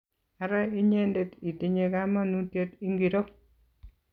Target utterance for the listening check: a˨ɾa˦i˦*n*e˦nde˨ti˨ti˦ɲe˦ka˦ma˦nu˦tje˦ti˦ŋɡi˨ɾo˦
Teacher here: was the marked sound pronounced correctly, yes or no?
no